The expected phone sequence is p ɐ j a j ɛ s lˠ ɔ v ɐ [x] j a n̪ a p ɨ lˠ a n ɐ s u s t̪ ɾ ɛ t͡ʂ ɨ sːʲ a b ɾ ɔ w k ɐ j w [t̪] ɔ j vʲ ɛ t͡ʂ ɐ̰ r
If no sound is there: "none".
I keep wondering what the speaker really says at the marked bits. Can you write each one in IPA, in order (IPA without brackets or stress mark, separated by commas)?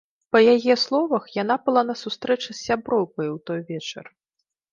x, t̪